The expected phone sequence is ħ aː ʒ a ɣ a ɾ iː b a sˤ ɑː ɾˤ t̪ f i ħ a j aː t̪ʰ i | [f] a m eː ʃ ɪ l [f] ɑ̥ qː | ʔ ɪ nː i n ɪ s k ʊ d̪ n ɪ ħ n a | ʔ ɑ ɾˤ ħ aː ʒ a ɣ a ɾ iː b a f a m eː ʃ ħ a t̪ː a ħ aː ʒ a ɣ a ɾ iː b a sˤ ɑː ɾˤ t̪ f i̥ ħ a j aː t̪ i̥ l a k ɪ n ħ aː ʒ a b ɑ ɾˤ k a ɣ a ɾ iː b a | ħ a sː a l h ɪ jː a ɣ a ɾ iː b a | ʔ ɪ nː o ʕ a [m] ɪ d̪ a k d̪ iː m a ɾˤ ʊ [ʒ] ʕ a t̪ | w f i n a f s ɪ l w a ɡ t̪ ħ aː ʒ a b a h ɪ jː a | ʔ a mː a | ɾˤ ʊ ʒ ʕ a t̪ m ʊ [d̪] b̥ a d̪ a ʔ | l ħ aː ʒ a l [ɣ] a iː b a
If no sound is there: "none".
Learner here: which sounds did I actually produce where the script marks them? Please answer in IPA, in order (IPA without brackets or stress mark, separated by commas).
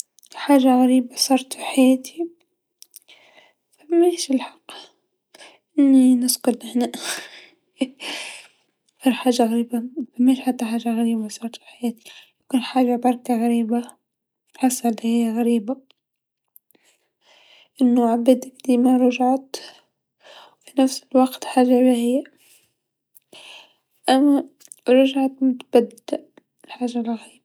f, ħ, b, ʒ, t̪, ɣ